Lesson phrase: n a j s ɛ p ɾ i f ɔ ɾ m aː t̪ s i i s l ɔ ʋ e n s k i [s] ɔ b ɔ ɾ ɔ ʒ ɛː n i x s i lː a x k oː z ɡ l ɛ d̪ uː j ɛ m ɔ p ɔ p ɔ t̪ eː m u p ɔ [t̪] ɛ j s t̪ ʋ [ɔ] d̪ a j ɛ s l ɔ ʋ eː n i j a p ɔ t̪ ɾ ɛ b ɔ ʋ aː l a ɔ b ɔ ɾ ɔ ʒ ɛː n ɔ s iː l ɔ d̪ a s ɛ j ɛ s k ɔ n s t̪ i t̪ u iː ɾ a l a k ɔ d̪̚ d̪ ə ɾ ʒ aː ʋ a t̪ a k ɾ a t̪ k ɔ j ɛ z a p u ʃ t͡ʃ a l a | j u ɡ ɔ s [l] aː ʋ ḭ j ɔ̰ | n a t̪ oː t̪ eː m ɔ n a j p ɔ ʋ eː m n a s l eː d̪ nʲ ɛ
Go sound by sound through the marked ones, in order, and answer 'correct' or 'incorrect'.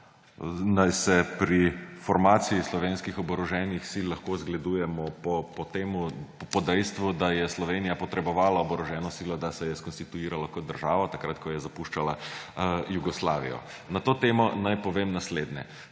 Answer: incorrect, incorrect, incorrect, correct

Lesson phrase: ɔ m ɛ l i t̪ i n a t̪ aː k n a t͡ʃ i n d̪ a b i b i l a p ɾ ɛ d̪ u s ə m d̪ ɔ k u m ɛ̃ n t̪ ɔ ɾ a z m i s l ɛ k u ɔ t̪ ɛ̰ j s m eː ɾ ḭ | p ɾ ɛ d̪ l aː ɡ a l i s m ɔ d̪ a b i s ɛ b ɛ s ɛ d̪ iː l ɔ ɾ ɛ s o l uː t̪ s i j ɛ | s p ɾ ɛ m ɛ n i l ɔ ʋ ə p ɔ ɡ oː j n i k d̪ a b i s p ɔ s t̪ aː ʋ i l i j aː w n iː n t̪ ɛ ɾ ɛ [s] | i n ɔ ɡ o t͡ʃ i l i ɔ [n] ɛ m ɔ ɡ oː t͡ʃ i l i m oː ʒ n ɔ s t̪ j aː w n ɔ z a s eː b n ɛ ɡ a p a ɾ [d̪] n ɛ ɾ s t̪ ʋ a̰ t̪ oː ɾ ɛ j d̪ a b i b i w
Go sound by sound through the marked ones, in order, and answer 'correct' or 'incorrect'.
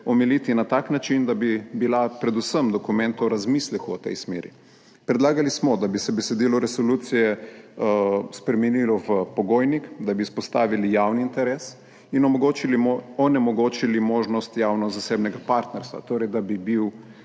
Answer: correct, correct, incorrect

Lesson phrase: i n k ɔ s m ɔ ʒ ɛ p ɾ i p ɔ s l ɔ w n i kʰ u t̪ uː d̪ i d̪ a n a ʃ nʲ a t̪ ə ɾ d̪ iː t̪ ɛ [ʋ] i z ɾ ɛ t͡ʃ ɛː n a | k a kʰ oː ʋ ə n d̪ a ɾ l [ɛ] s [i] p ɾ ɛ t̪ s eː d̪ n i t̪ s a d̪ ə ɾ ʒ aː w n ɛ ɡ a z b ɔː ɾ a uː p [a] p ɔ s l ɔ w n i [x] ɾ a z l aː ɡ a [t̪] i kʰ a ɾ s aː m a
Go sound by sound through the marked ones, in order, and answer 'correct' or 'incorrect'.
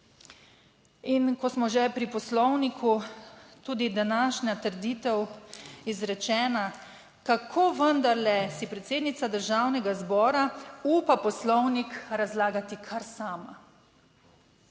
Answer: incorrect, correct, correct, correct, incorrect, correct

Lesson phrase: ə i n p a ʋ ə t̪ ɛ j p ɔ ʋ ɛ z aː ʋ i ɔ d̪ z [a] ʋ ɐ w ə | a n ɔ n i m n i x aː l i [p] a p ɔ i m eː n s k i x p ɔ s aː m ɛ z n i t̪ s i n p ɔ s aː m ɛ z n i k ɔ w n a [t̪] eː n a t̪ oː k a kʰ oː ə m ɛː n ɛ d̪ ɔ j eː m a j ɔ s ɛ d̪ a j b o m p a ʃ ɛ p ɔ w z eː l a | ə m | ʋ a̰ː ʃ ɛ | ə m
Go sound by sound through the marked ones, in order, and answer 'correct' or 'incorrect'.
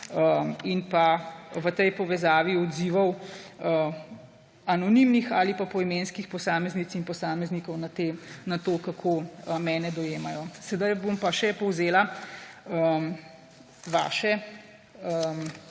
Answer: incorrect, correct, correct

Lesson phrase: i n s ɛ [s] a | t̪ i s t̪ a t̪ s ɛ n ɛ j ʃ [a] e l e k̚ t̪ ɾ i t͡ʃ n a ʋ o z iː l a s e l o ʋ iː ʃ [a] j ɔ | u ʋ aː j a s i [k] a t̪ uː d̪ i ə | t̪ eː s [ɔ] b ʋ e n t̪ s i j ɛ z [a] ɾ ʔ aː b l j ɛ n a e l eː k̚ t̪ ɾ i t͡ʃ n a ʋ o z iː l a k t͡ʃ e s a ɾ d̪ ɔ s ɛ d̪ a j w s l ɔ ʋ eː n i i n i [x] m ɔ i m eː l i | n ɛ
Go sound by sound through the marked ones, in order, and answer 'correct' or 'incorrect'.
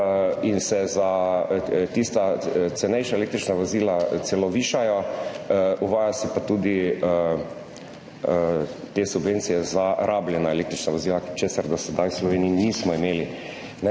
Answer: incorrect, correct, correct, incorrect, incorrect, correct, incorrect

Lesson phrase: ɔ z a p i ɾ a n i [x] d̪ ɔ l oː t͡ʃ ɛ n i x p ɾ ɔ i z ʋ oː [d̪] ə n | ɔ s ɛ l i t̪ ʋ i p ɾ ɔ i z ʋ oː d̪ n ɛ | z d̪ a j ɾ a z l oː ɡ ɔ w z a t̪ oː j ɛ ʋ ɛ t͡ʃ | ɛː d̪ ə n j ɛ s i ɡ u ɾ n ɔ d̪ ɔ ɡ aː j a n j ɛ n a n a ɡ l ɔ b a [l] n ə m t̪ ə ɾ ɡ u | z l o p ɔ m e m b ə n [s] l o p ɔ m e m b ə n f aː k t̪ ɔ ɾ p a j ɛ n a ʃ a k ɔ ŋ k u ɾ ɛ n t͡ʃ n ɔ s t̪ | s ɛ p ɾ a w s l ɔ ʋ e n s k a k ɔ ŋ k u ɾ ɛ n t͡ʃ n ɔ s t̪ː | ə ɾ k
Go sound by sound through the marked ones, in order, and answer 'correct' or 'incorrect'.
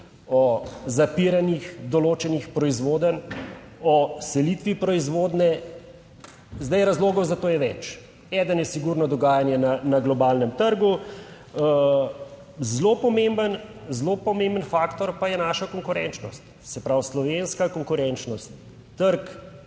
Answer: correct, correct, correct, incorrect

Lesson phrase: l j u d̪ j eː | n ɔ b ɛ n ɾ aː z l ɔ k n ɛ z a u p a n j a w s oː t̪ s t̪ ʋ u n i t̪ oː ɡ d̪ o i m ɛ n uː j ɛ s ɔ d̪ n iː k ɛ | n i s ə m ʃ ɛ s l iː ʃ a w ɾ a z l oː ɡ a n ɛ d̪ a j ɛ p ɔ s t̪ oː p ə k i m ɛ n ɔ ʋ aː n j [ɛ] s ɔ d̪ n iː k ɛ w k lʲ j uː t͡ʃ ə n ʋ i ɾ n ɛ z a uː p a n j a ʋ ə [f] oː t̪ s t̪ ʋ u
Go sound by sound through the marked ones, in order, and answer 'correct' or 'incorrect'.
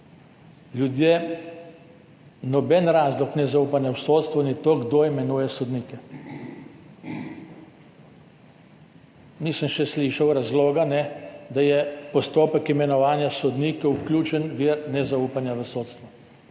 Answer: incorrect, incorrect

